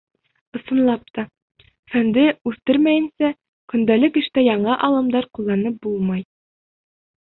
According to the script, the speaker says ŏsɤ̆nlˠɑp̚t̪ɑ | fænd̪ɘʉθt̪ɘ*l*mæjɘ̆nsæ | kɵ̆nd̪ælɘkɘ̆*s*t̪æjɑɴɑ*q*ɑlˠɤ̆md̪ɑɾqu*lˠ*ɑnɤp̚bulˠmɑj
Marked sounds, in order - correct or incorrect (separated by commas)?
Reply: incorrect, incorrect, incorrect, incorrect